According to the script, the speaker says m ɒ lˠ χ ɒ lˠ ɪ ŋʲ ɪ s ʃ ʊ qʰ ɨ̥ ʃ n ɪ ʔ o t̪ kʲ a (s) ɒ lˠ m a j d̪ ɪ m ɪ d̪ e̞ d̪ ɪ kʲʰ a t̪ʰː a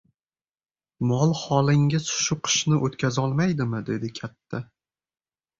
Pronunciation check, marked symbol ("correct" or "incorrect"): incorrect